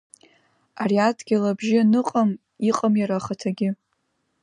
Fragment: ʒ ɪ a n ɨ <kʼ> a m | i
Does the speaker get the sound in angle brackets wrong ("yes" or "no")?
yes